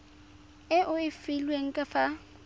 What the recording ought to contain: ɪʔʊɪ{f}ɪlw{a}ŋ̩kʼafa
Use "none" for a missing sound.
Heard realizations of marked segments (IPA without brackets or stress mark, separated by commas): f, e